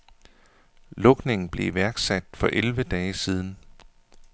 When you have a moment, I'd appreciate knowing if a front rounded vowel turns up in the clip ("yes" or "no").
no